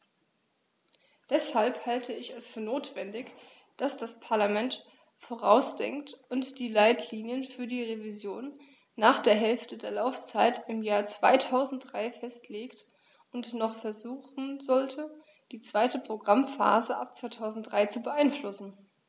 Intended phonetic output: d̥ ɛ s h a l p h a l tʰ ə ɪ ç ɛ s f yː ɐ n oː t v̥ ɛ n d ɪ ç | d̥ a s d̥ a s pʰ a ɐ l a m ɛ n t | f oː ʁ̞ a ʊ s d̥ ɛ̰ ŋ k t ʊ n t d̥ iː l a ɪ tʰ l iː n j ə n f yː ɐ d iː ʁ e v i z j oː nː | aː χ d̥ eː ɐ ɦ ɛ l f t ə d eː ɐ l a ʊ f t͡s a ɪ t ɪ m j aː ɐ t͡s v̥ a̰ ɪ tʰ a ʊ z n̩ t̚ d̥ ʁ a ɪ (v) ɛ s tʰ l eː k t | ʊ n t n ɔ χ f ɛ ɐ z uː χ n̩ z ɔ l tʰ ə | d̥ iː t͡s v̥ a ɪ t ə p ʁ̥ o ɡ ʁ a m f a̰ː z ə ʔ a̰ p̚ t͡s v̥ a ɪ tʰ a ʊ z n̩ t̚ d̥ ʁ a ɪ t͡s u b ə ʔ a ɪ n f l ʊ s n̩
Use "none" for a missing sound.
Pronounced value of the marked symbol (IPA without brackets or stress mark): f